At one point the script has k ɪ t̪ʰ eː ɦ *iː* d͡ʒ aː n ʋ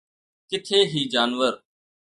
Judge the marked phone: correct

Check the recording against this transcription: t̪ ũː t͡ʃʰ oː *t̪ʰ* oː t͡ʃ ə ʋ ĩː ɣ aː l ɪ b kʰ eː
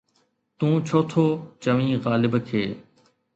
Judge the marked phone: correct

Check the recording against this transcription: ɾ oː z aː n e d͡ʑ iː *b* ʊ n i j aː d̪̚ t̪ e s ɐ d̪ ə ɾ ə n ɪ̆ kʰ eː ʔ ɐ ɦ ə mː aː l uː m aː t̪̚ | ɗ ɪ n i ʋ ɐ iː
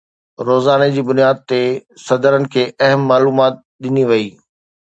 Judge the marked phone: correct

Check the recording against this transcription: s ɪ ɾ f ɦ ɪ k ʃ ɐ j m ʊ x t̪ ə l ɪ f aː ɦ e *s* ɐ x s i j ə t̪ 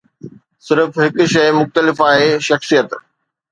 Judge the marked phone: incorrect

